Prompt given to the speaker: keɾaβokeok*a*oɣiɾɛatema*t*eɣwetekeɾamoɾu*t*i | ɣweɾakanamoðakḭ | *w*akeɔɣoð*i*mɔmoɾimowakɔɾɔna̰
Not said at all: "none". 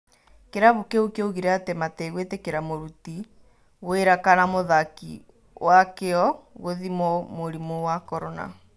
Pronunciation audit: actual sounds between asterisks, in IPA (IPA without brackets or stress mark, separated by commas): e, t, t, w, i